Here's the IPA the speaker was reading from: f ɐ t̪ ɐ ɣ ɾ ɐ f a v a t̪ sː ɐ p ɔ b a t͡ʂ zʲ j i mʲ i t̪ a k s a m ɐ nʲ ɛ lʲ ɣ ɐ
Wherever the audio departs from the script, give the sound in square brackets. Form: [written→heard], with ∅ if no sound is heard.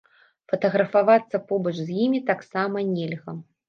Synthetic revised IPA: f ɐ t̪ ɐ ɣ ɾ ɐ f a v a t̪ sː ɐ p ɔ b [a→ɐ] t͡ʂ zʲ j i mʲ i t̪ a k s a m ɐ nʲ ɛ lʲ ɣ ɐ